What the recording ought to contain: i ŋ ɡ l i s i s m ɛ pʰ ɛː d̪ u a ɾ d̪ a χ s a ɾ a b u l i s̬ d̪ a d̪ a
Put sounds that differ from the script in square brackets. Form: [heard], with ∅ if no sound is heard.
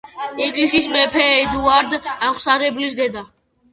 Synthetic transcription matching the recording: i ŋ ɡ l i s i s m ɛ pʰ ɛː d̪ u a ɾ d̪ a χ s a ɾ [ɛ] b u l i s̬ d̪ [ɛ] d̪ a